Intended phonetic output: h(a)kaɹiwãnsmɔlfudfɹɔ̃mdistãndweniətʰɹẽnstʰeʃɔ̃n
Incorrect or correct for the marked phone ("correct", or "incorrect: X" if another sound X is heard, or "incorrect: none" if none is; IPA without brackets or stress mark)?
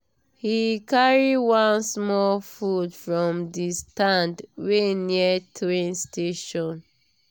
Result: incorrect: i